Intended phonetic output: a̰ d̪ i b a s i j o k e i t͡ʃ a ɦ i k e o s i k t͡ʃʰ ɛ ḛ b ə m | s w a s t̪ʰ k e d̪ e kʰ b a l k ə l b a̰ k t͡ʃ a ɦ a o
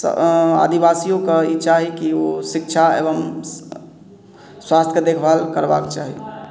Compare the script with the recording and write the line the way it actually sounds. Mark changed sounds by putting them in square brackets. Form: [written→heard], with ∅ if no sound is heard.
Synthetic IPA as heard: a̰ d̪ i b a s i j o k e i t͡ʃ a ɦ i k [e→i] o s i k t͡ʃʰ [ɛ→a] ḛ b ə m | s w a s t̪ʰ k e d̪ e kʰ b a l k ə [l→ɾ] b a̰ k t͡ʃ a ɦ [a→i] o